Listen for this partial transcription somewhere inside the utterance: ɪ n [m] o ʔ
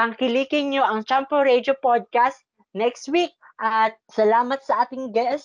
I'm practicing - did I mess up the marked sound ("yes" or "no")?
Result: yes